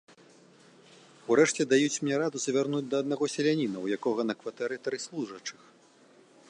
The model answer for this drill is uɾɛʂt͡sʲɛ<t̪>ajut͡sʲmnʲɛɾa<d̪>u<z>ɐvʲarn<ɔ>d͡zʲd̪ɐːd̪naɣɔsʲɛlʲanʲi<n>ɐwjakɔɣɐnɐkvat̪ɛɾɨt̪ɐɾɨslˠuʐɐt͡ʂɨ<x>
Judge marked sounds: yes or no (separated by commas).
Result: no, yes, yes, no, yes, yes